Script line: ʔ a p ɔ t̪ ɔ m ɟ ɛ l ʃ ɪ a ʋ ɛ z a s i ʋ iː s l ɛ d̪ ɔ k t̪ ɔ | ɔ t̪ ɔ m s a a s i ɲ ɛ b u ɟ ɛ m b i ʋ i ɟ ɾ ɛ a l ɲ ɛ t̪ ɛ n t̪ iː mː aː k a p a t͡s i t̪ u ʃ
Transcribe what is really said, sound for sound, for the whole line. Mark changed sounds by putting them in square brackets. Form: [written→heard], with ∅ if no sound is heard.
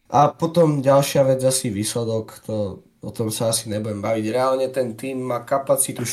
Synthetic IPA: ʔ a p ɔ t̪ ɔ m ɟ [ɛ→a] l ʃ ɪ a ʋ ɛ [z→d͡z] a s i ʋ iː s l ɛ d̪ ɔ k t̪ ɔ | ɔ t̪ ɔ m s a a s i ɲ ɛ b u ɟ ɛ m b [i→a] ʋ i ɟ ɾ ɛ a l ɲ ɛ t̪ ɛ n t̪ iː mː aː k a p a t͡s i t̪ u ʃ